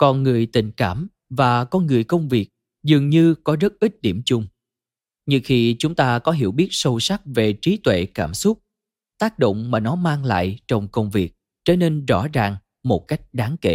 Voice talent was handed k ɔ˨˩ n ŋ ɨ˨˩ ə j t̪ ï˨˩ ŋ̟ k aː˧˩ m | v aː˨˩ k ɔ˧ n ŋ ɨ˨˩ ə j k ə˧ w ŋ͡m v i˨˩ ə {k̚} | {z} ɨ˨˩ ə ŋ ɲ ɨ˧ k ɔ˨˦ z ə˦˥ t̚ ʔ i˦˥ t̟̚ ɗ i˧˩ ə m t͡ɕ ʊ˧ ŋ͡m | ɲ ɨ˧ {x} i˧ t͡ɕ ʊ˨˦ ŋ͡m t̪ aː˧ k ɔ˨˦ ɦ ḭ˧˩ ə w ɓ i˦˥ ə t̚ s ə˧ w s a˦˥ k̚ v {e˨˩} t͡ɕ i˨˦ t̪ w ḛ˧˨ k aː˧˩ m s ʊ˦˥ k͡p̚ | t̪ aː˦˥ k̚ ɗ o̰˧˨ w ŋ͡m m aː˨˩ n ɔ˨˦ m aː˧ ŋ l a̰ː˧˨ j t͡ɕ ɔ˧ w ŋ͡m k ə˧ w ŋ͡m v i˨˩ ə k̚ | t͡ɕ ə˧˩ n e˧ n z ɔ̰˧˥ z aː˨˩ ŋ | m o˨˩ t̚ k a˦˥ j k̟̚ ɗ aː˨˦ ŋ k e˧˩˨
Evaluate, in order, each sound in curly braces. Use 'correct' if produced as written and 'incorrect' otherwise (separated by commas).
correct, correct, correct, correct